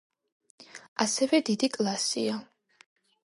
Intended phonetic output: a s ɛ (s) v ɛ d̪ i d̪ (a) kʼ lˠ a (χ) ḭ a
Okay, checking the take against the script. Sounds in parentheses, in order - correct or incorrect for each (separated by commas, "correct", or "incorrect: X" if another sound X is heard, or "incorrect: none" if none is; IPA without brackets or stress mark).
incorrect: none, incorrect: i, incorrect: s